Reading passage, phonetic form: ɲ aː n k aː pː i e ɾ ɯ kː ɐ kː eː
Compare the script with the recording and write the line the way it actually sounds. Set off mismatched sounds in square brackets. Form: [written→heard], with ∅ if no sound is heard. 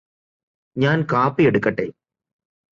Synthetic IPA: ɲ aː n k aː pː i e [ɾ→ɽ] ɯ kː ɐ [kː→ʈː] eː